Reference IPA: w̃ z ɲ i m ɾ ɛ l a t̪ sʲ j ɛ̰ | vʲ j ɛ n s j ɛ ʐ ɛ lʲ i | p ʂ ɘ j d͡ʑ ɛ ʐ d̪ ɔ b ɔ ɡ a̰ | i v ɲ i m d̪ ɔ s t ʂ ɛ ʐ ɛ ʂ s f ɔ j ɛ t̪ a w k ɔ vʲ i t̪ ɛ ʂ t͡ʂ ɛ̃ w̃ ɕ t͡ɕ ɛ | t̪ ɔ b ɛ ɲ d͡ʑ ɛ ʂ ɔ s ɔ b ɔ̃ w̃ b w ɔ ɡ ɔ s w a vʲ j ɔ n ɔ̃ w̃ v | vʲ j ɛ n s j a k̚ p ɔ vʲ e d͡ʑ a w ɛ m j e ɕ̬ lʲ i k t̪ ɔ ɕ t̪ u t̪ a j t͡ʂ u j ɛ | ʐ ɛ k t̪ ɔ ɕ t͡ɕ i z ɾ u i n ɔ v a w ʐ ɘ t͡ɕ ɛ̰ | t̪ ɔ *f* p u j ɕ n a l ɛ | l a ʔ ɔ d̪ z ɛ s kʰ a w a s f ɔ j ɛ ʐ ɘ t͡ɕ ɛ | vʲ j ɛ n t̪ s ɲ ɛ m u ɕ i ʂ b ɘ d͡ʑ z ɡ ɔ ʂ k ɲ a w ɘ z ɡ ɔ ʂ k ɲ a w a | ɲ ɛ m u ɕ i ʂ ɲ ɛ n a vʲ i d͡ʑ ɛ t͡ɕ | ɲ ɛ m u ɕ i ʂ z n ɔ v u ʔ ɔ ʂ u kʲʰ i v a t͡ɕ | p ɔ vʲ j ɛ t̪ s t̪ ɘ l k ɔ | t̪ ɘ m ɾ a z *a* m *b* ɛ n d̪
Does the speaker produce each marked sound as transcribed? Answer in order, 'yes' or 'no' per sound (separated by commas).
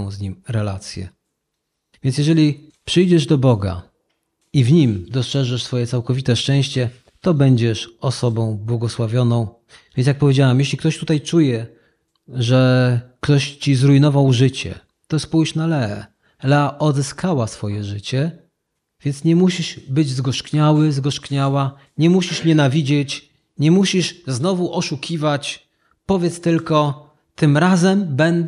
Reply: no, no, yes